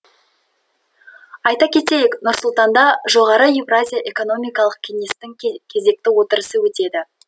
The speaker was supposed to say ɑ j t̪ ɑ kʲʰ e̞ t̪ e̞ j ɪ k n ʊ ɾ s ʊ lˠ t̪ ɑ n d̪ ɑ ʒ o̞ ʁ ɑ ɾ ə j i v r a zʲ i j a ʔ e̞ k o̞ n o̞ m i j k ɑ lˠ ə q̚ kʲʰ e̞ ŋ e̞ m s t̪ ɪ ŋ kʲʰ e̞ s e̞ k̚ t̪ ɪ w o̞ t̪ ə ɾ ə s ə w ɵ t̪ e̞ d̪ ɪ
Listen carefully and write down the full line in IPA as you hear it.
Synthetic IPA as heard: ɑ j t̪ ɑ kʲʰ e̞ t̪ e̞ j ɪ k n ʊ ɾ s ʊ lˠ t̪ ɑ n d̪ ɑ ʒ o̞ ʁ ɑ ɾ ə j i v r a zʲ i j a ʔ e̞ k o̞ n o̞ m i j k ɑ lˠ ə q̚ kʲʰ e̞ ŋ e̞ s t̪ ɪ ŋ kʲʰ e̞ z e̞ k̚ t̪ ɪ w o̞ t̪ ə ɾ ə s ə w ɵ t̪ e̞ d̪ ɪ